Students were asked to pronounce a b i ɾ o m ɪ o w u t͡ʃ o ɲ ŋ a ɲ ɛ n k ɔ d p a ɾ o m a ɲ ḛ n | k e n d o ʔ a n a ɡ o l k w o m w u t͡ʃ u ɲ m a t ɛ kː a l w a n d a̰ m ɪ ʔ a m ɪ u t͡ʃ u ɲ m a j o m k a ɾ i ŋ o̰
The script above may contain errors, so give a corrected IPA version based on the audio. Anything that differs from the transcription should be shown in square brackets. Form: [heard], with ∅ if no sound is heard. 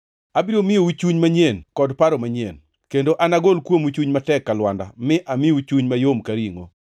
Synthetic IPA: a b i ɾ o m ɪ o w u t͡ʃ [u] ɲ [m] a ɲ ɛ n k ɔ d p a ɾ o m a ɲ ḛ n | k e n d o ʔ a n a ɡ o l k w o m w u t͡ʃ u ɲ m a t ɛ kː a l w a n d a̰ m ɪ ʔ a m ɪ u t͡ʃ u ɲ m a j o m k a ɾ i ŋ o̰